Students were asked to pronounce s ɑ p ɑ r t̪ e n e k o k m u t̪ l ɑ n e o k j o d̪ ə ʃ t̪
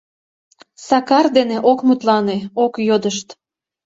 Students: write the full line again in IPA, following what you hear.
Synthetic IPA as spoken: s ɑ k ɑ r d̪ e n e ʔ o k m u t̪ l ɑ n e o k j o d̪ ə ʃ t̪